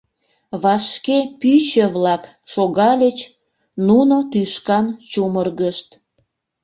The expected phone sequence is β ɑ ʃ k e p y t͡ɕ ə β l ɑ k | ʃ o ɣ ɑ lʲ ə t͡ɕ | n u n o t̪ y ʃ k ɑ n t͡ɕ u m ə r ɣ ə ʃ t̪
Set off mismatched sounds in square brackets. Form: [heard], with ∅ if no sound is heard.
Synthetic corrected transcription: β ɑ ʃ k e p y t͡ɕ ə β l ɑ k | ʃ o ɣ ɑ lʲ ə t͡ɕ | n u n o t̪ y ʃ k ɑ n t͡ɕ u m ə r ɣ ə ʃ t̪